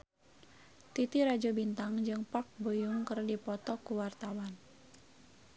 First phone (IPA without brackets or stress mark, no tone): t̪